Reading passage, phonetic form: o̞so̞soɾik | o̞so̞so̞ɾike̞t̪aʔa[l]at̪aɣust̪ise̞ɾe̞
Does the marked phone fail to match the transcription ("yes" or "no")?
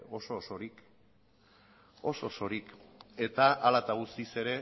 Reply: no